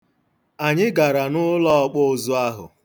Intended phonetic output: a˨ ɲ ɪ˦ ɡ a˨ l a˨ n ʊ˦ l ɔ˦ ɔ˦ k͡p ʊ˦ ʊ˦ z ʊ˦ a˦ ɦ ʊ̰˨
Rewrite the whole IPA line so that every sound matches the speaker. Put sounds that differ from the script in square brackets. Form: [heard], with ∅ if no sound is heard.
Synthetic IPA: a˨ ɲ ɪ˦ ɡ a˨ [ɾ] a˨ n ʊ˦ l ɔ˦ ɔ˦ k͡p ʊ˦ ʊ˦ z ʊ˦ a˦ ɦ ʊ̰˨